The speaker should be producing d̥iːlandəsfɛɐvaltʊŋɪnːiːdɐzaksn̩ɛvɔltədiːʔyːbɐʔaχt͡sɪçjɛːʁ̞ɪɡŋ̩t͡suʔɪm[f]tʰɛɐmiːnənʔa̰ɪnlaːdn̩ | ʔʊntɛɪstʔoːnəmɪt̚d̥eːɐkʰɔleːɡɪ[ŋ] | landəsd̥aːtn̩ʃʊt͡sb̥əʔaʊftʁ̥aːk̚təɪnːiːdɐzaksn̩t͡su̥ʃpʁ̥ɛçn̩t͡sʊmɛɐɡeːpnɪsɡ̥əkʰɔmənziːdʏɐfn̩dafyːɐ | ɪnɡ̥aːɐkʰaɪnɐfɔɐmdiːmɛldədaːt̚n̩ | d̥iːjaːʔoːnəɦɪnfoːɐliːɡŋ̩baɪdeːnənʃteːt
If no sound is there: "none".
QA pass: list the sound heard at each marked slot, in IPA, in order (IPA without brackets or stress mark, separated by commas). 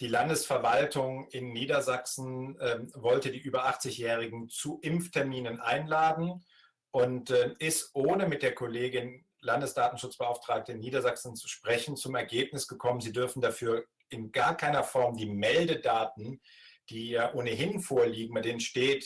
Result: f, n